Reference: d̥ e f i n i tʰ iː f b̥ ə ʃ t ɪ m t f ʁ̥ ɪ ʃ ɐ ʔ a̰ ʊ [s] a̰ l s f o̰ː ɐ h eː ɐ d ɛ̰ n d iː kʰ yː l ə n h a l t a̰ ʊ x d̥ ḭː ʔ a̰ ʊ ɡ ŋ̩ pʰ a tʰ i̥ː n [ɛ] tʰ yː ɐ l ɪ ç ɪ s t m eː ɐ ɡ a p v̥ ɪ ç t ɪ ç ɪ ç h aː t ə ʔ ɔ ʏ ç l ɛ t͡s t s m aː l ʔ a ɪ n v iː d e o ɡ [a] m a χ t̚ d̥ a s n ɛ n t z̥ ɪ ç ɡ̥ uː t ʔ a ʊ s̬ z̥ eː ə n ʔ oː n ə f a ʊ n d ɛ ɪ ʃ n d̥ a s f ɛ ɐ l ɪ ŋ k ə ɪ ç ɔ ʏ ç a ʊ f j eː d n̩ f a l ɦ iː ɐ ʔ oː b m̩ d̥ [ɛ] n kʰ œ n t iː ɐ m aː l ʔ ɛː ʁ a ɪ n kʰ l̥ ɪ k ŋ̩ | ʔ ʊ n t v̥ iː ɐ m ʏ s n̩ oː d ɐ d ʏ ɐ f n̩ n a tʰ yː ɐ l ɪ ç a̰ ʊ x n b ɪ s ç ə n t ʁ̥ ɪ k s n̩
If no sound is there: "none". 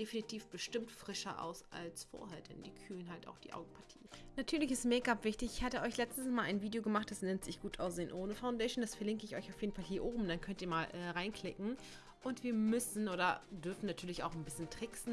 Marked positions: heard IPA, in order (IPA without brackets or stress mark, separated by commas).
s, a, ə, a